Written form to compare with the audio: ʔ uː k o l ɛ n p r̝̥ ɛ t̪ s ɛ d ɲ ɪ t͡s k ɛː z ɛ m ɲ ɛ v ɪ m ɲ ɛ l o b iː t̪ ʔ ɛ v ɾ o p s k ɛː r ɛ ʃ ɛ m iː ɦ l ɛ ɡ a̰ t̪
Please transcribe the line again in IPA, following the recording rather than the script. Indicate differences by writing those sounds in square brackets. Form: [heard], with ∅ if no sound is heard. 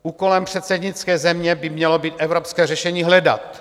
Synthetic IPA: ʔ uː k o l ɛ [m] p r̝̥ ɛ t̪ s ɛ d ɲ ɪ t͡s k ɛː z ɛ m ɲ ɛ [b] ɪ m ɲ ɛ l o b iː t̪ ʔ ɛ v ɾ o p s k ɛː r ɛ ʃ ɛ [ɲ] iː ɦ l ɛ [d] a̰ t̪